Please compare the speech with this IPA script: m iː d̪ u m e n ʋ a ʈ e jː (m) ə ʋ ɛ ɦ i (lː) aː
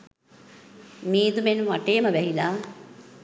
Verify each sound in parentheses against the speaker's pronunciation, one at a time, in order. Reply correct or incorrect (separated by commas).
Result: correct, incorrect